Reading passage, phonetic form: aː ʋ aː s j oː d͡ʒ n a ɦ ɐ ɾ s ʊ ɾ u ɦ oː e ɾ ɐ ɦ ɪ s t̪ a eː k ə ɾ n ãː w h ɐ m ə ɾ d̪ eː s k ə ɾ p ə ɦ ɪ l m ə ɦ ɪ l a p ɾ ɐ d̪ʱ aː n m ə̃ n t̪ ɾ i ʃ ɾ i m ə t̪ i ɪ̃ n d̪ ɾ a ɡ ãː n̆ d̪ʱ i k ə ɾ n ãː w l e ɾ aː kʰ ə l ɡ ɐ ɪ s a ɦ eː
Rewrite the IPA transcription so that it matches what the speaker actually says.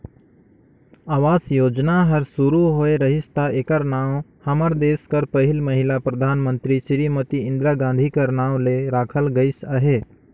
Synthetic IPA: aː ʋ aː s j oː d͡ʒ n a ɦ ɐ ɾ s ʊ ɾ u ɦ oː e ɾ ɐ ɦ ɪ s t̪ a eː k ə ɾ n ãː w h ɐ m ə ɾ d̪ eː s k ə ɾ p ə ɦ ɪ l m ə ɦ ɪ l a p ɾ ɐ d̪ʱ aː n m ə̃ n t̪ ɾ i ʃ ɾ i m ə t̪ i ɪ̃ n d̪ ɾ a ɡ ãː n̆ d̪ʱ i k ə ɾ n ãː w l e ɾ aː kʰ ə l ɡ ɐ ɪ s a ɦ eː